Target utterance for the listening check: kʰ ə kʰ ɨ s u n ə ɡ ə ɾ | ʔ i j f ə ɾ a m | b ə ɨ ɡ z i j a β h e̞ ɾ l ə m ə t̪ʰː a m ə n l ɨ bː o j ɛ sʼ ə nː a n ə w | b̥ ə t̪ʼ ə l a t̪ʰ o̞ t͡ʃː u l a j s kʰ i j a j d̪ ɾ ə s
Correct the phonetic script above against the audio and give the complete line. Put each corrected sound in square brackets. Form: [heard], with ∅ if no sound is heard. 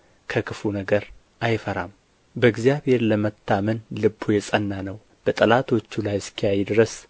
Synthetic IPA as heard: kʰ ə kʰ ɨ [f] u n ə ɡ ə ɾ | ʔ [a] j f ə ɾ a m | b ə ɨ ɡ z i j a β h e̞ ɾ l ə m ə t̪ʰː a m ə n l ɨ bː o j ɛ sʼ ə nː a n ə w | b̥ ə t̪ʼ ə l a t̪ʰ o̞ t͡ʃː u l a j s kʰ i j a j d̪ ɾ ə s

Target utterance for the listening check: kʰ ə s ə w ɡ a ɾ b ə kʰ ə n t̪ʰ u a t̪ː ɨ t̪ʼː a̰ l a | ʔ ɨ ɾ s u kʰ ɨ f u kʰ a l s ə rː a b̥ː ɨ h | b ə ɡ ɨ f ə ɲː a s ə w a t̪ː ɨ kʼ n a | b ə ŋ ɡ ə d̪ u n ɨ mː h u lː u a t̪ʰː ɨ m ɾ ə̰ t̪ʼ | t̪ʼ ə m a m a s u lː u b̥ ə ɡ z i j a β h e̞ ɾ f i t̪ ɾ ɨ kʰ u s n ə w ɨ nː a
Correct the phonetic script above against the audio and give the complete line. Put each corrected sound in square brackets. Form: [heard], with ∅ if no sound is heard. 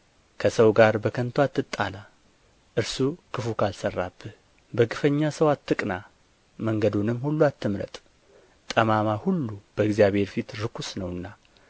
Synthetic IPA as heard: kʰ ə s ə w ɡ a ɾ b ə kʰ ə n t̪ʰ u a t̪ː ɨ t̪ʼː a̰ l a | ʔ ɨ ɾ s u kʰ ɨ f u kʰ a l s ə rː a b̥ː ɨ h | b ə ɡ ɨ f ə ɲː a s ə w a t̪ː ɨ kʼ n a | [m] ə ŋ ɡ ə d̪ u n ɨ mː h u lː u a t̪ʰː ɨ m ɾ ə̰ t̪ʼ | t̪ʼ ə m a m a [h] u lː u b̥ ə ɡ z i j a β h e̞ ɾ f i t̪ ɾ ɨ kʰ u s n ə w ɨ nː a

